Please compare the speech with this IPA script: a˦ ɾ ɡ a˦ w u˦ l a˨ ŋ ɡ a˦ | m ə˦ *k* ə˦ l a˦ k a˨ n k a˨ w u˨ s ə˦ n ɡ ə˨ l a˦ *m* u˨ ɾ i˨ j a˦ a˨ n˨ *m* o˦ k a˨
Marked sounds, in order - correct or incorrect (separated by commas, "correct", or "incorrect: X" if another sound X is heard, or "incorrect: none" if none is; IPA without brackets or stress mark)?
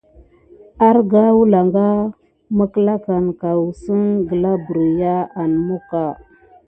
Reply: correct, incorrect: b, correct